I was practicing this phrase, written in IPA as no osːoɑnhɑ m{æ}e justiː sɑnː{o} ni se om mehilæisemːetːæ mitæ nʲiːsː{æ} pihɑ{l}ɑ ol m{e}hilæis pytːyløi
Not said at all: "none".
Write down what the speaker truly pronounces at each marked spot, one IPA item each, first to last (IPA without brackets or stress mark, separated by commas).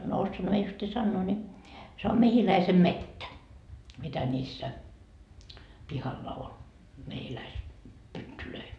i, oː, æ, lː, e